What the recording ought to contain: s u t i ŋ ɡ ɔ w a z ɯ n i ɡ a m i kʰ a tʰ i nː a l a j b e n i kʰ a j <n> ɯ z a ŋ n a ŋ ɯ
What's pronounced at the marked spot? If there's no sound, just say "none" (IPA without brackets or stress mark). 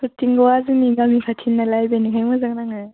m